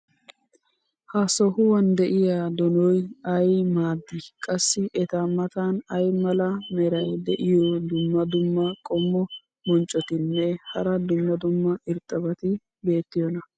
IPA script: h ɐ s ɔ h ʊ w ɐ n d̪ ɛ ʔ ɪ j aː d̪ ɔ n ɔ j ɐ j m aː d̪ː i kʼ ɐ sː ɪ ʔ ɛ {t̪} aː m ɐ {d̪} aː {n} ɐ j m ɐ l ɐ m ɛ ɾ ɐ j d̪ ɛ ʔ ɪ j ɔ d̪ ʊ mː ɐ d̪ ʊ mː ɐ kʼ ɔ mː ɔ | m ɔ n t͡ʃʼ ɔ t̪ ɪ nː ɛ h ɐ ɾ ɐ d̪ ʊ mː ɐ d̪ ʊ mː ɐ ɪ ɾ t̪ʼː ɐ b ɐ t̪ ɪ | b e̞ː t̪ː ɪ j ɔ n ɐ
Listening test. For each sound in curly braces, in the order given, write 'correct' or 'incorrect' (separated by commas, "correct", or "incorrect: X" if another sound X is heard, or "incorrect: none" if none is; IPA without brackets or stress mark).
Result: correct, incorrect: t̪, correct